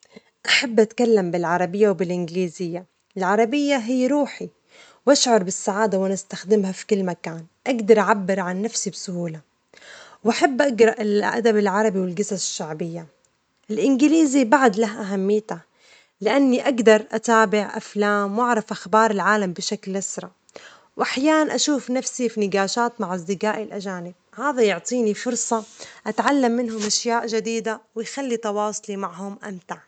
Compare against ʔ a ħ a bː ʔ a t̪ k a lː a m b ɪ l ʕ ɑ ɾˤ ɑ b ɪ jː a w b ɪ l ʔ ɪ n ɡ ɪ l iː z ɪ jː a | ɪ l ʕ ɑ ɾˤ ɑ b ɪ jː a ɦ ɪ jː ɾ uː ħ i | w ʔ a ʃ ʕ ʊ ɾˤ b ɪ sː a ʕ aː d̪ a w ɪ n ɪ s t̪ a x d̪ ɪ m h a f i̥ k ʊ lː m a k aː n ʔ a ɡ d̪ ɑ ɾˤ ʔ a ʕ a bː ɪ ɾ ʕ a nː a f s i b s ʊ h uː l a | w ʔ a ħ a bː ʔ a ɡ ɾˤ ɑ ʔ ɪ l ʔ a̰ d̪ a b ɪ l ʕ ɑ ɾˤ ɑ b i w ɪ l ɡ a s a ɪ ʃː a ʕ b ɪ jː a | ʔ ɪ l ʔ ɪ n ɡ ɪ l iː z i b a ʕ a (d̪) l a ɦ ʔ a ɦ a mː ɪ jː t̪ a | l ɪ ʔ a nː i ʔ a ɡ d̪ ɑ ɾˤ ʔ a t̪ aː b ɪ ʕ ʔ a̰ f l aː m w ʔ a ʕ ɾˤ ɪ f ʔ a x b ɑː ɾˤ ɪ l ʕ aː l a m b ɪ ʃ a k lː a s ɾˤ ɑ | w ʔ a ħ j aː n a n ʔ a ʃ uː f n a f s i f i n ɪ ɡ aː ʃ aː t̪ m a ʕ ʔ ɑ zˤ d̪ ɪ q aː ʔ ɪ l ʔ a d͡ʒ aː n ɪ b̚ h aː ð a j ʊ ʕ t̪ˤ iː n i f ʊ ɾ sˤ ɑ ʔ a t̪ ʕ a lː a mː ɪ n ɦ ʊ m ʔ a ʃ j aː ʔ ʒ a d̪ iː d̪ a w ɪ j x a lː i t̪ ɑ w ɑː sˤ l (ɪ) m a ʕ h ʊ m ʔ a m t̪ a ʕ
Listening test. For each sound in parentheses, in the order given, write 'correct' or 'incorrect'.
correct, incorrect: i

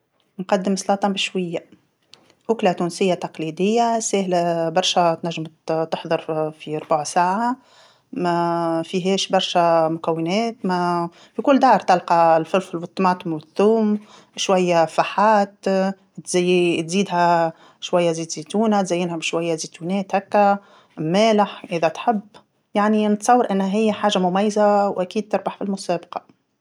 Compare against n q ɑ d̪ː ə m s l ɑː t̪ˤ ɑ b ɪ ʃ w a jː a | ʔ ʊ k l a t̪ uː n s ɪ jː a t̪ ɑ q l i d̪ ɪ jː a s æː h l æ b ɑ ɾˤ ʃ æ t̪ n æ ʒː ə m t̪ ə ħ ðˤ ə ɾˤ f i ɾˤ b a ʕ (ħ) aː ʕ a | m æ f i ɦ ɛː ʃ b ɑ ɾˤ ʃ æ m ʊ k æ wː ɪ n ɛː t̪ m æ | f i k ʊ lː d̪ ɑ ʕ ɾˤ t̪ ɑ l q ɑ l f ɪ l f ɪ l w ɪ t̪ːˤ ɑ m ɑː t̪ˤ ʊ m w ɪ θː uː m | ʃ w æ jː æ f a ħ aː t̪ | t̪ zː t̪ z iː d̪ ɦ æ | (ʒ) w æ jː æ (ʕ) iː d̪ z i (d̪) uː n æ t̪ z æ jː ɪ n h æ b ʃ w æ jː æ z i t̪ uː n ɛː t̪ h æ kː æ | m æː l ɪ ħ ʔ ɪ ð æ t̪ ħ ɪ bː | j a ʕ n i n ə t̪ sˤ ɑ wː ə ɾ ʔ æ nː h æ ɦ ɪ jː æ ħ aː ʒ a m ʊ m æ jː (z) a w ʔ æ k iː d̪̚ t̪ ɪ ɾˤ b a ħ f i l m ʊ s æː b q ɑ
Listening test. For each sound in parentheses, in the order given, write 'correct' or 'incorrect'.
incorrect: s, incorrect: ʃ, incorrect: z, incorrect: t̪, correct

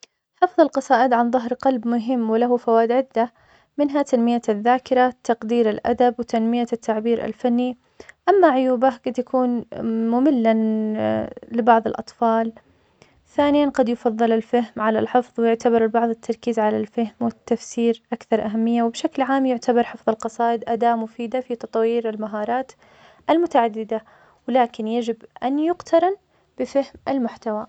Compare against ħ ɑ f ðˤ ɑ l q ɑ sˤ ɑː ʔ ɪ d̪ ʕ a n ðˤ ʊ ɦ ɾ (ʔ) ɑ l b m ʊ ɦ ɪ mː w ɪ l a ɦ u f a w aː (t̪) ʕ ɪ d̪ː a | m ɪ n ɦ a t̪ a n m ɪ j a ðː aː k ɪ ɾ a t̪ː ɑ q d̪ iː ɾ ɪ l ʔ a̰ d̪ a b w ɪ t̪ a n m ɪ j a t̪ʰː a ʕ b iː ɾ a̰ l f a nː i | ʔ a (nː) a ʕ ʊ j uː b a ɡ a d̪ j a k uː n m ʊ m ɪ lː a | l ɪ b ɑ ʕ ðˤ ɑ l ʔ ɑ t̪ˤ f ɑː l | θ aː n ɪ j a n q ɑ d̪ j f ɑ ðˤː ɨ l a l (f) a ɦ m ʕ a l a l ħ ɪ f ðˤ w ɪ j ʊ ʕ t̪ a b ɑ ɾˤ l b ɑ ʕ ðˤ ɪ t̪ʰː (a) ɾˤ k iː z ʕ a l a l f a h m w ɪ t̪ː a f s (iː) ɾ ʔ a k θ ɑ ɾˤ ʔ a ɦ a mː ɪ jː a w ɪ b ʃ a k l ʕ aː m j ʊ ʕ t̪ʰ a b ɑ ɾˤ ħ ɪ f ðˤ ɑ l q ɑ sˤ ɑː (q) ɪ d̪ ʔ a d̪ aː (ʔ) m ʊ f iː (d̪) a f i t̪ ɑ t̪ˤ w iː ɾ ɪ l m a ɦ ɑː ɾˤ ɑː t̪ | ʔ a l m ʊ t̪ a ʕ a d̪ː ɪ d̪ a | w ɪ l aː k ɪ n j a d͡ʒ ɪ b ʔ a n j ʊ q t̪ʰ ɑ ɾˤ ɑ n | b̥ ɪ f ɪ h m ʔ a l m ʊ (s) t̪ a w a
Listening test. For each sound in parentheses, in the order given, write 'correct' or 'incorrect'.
incorrect: q, incorrect: d̪, incorrect: mː, correct, incorrect: ɑ, correct, incorrect: ʔ, correct, correct, incorrect: ħ

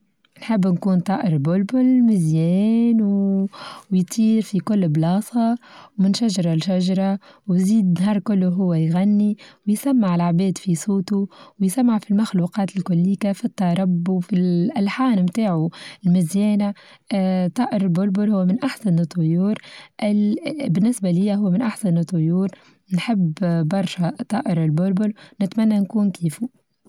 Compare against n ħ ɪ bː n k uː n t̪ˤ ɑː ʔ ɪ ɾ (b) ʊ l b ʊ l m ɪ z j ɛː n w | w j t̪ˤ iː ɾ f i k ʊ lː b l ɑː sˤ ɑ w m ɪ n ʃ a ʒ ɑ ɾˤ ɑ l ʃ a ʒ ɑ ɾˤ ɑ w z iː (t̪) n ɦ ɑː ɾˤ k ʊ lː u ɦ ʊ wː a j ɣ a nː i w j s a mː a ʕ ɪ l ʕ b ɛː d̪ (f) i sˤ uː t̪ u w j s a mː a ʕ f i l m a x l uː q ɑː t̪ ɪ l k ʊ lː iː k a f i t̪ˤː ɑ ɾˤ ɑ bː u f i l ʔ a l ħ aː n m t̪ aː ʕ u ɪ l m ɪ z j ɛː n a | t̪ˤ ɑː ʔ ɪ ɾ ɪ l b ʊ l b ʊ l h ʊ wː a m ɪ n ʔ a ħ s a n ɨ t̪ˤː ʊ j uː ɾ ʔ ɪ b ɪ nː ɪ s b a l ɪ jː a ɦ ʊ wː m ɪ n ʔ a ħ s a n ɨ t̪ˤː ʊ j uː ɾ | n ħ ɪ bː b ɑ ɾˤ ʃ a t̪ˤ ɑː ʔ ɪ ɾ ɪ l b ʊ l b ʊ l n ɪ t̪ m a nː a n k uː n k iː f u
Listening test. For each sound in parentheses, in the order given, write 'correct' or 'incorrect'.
correct, incorrect: d̪, correct

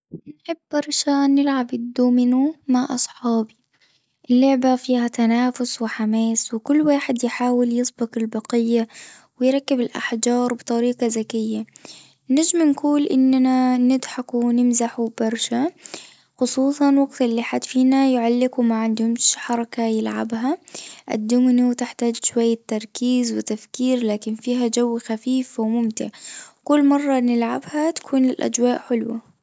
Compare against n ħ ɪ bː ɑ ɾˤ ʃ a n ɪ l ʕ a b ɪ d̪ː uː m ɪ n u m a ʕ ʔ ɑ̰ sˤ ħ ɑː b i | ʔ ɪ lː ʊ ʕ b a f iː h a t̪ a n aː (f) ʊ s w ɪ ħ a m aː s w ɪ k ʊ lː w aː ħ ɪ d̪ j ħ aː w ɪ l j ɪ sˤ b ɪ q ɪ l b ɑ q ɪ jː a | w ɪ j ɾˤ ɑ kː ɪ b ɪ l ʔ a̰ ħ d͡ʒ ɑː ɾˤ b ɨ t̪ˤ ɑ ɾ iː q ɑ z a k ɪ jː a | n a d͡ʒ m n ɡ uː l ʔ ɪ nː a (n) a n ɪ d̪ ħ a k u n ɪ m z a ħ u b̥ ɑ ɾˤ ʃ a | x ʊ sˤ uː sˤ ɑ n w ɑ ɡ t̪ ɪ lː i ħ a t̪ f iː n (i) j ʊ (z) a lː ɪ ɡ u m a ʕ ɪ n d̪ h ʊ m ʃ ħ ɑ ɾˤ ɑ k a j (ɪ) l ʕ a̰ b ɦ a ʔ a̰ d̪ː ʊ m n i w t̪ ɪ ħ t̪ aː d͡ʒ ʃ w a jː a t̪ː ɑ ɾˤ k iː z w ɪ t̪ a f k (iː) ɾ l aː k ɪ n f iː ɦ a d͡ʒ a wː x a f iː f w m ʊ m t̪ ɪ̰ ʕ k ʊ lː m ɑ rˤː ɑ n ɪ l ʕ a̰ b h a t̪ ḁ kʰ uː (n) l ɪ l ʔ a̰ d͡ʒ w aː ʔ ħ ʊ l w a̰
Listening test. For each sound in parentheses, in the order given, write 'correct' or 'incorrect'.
correct, correct, incorrect: a, incorrect: ʕ, correct, correct, correct

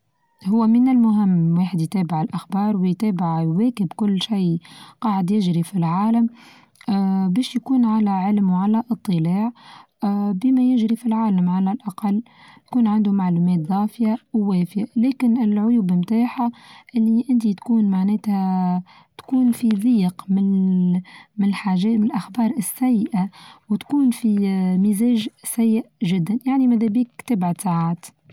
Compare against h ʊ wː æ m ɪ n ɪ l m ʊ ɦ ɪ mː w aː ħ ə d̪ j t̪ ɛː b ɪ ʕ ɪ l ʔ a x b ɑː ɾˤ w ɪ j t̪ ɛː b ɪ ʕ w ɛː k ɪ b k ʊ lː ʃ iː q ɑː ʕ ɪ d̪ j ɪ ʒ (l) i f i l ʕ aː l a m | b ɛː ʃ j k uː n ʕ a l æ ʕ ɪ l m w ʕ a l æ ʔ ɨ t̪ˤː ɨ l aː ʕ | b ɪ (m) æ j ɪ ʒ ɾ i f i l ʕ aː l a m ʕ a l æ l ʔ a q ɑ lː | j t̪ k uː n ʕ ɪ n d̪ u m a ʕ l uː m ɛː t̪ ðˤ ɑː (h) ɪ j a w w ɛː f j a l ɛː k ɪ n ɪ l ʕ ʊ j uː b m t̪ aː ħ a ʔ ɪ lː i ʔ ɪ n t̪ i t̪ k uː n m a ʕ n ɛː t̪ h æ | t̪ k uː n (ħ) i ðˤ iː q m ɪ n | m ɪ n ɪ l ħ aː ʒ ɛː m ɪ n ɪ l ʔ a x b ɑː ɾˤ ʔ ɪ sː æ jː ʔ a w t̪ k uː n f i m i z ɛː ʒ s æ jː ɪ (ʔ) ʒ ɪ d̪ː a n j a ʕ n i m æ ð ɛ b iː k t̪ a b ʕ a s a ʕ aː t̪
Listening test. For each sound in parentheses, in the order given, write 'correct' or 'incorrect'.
incorrect: ɾ, correct, incorrect: f, incorrect: f, correct

